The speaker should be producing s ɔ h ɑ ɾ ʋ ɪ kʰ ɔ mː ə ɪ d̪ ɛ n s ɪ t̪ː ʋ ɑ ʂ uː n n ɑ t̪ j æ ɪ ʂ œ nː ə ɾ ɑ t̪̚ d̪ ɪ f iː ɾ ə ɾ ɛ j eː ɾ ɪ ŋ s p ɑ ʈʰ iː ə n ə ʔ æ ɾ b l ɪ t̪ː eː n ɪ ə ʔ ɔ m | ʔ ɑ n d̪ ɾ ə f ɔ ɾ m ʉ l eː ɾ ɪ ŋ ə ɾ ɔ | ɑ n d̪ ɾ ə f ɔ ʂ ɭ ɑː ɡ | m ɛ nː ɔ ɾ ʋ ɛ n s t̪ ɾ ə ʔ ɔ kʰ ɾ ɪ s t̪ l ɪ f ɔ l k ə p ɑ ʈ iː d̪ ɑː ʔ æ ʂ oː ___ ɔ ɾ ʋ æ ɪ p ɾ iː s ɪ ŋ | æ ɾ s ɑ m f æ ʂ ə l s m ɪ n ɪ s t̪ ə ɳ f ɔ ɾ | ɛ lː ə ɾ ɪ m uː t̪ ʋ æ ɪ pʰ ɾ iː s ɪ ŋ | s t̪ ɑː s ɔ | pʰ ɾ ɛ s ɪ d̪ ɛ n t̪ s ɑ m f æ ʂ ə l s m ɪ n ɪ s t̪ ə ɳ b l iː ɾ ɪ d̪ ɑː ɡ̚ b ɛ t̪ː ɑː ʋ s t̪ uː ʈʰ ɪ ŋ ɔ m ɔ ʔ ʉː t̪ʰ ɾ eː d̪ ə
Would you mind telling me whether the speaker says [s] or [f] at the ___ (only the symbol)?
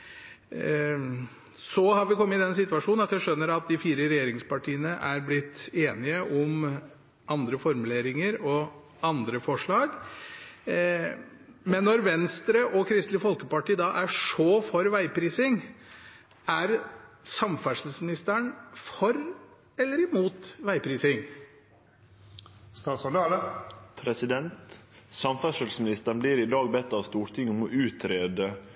f